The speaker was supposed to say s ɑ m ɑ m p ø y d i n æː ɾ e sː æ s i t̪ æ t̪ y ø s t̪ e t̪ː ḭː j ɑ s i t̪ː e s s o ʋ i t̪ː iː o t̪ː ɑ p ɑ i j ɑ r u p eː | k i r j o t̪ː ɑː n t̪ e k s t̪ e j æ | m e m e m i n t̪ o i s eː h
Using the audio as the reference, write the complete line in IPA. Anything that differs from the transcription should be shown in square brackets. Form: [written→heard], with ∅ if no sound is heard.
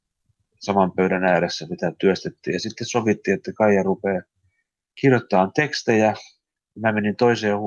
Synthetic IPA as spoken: s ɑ m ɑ m p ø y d [i→æ] n æː ɾ e sː æ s i t̪ æ t̪ y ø s t̪ e t̪ː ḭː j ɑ s i t̪ː e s s o ʋ i t̪ː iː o t̪ː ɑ [p→k] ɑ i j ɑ r u p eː | k i r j o t̪ː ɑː n t̪ e k s t̪ e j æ | m [e→æ] m e [m→n] i n t̪ o i s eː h